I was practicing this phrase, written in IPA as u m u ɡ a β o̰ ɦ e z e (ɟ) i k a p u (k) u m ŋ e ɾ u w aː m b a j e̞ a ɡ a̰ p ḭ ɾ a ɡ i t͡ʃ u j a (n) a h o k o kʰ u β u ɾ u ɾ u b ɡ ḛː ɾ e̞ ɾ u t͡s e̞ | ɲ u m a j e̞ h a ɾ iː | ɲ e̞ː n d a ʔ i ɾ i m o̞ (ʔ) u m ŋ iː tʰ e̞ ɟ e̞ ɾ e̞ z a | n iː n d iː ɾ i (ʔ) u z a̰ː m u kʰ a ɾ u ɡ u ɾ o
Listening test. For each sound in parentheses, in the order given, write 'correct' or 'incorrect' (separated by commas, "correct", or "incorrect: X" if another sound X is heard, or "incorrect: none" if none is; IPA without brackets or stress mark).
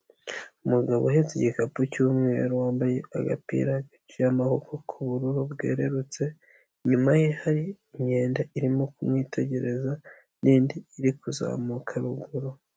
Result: correct, incorrect: c, incorrect: m, incorrect: k, incorrect: k